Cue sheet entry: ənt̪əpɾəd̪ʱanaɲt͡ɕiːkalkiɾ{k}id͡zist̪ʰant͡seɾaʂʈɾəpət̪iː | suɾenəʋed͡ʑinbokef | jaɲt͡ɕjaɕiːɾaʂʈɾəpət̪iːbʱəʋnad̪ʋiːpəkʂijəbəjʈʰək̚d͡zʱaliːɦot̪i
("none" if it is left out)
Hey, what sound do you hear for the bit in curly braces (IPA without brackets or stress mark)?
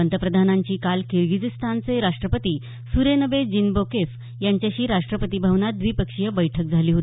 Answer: ɡ